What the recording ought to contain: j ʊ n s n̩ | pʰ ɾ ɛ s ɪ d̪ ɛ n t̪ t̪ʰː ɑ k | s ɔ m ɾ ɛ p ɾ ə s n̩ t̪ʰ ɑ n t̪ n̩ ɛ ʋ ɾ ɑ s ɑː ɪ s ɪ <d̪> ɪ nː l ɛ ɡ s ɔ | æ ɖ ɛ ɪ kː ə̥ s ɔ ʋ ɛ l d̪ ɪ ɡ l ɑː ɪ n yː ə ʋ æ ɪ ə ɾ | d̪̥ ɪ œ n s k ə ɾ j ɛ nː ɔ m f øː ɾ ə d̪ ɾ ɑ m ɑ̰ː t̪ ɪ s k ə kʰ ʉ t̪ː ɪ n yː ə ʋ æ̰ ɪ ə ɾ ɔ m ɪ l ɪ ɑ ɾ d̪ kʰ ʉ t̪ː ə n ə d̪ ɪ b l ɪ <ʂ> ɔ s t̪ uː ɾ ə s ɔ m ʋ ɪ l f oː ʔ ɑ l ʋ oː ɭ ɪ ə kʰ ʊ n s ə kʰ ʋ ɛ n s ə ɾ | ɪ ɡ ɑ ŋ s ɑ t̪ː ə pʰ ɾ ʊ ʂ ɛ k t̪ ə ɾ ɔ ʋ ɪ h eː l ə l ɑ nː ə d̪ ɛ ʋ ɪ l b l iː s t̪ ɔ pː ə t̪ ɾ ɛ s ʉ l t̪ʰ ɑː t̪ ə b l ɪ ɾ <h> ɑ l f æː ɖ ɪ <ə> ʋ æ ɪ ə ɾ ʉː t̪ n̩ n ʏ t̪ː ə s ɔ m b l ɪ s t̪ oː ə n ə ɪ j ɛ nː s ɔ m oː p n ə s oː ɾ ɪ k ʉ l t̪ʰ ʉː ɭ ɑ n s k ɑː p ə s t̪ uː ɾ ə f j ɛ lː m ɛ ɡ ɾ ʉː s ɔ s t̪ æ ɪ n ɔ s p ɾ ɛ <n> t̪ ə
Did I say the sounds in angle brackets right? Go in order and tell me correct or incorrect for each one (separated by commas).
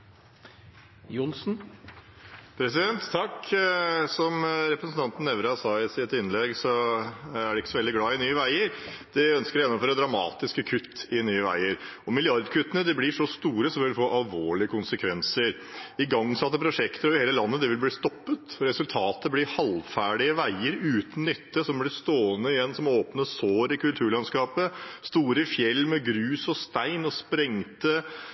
incorrect, correct, correct, correct, incorrect